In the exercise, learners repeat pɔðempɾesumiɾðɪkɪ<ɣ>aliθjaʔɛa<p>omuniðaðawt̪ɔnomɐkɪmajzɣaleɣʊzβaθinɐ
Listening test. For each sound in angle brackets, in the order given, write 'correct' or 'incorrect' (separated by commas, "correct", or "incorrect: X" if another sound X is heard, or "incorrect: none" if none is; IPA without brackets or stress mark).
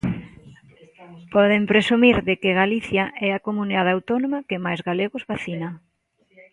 correct, incorrect: k